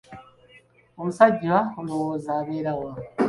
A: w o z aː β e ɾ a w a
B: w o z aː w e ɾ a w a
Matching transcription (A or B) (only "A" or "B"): A